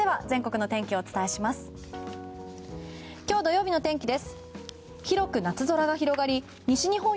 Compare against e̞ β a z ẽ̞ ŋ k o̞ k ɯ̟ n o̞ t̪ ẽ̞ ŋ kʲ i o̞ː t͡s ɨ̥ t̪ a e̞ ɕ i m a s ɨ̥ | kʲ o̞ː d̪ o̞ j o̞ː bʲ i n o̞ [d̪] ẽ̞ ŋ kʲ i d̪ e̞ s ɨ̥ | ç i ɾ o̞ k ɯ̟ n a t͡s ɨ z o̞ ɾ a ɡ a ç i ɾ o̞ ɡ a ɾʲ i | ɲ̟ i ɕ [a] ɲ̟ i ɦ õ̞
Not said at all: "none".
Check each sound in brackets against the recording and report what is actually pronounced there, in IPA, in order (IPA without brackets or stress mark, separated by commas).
t̪, i